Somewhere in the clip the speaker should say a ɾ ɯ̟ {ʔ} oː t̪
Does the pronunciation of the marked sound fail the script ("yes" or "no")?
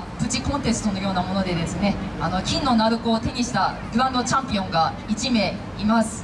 yes